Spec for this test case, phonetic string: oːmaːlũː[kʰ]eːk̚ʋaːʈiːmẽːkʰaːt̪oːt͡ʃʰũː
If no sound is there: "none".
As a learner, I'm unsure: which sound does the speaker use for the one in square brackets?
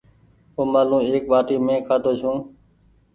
none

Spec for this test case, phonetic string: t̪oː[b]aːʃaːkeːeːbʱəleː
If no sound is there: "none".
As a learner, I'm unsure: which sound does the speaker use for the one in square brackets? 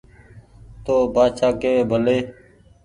b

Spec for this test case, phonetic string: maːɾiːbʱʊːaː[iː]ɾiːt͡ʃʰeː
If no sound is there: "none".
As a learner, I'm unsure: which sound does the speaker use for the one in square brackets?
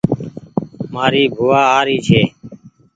aː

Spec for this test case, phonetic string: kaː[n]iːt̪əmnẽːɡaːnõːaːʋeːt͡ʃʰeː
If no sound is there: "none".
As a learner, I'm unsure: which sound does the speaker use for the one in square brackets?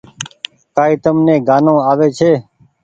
none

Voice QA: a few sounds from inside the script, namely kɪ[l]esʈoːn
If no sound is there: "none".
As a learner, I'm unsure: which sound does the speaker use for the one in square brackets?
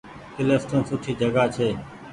l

